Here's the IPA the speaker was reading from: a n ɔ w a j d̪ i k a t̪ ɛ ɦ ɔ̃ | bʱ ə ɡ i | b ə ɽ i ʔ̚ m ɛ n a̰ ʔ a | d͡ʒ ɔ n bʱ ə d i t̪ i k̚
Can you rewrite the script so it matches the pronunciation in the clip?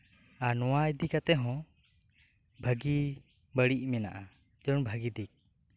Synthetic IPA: a n ɔ w a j d̪ i k a t̪ ɛ ɦ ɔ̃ | bʱ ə ɡ i | b ə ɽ i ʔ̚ m ɛ n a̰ ʔ a | d͡ʒ ɔ n bʱ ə ɡ i d̪ i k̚